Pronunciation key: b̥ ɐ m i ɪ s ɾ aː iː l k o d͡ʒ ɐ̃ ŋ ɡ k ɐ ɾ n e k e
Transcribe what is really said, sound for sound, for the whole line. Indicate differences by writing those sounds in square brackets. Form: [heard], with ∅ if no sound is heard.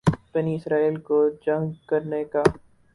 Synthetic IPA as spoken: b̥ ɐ [n] i ɪ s ɾ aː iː l k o d͡ʒ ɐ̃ ŋ ɡ k ɐ ɾ n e k [a]